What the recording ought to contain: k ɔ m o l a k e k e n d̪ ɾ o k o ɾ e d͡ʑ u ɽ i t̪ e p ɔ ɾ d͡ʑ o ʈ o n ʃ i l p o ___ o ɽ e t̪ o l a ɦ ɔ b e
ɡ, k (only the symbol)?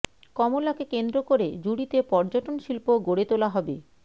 ɡ